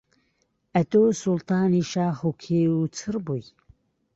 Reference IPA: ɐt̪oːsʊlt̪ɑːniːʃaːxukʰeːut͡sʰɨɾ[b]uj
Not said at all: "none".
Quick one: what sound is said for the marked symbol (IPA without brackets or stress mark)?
b